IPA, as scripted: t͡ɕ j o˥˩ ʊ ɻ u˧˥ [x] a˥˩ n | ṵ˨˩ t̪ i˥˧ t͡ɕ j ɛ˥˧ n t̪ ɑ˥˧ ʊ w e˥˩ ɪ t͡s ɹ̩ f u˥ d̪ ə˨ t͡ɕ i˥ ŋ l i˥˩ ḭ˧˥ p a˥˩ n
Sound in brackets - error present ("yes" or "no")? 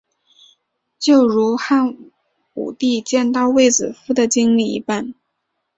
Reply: no